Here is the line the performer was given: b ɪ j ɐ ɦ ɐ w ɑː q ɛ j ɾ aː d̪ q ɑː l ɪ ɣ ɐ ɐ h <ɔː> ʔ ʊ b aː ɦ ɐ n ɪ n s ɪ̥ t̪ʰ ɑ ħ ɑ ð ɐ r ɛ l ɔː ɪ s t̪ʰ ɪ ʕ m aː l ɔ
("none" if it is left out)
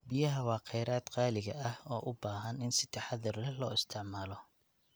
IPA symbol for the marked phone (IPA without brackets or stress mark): ɔː